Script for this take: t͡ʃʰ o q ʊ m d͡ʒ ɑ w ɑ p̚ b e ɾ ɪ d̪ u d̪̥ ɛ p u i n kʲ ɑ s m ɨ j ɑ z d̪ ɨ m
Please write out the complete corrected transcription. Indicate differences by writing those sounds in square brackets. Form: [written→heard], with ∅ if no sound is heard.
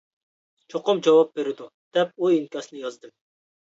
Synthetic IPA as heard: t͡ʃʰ o q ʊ m d͡ʒ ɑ w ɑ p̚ b e ɾ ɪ d̪ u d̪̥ ɛ p u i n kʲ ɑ s [m→n] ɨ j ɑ z d̪ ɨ m